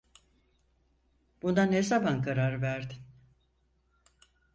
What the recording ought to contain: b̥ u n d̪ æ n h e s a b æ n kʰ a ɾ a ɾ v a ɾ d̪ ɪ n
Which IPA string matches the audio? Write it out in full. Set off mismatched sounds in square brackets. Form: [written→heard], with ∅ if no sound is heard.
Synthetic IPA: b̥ u n d̪ [æ→a] n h e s a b [æ→a] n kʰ a ɾ a ɾ v [a→æ] ɾ d̪ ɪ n